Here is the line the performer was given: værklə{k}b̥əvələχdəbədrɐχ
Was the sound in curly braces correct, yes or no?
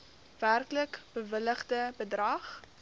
yes